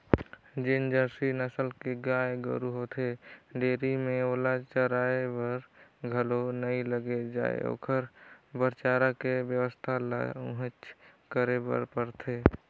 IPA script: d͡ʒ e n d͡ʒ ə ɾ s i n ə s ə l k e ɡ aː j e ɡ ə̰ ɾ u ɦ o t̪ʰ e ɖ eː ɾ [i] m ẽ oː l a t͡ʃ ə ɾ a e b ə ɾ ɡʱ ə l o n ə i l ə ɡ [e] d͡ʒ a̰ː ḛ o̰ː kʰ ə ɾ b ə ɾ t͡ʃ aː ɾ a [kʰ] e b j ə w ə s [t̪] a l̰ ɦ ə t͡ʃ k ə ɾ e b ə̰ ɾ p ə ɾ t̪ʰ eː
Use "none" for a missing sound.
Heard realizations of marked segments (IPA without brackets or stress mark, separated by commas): i, e, k, t̪ʰ